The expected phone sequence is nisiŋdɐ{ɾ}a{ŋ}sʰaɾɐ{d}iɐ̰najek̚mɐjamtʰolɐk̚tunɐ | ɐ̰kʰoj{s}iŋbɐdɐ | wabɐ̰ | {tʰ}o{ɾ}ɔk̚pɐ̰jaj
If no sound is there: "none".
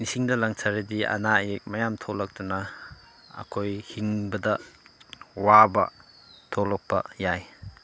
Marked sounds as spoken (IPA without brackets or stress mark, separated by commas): l, ŋ, d, h, tʰ, l